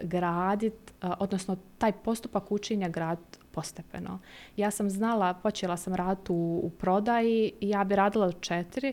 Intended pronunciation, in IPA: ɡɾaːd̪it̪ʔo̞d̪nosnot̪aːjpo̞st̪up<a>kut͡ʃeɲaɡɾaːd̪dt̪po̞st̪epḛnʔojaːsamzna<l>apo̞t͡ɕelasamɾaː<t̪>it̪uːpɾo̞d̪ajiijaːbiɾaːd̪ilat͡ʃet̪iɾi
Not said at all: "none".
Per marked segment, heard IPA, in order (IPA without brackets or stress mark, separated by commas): a, l, d̪